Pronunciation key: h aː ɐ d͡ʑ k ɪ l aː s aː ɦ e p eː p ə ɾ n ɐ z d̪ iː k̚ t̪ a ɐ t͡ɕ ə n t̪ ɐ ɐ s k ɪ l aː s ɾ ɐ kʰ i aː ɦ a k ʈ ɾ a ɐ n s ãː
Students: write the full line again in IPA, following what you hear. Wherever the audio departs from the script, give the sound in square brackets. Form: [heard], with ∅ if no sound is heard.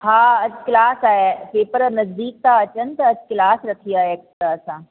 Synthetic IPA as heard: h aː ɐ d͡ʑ k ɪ l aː s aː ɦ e p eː p ə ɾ n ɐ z d̪ iː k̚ t̪ a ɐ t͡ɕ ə n t̪ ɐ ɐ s k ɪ l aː s ɾ ɐ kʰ i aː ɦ [e] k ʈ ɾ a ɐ [∅] s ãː